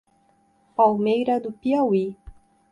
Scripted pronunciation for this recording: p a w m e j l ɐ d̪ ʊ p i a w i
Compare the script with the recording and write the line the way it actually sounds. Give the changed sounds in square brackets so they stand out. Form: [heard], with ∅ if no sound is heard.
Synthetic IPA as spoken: p a w m e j [ɾ] ɐ d̪ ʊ p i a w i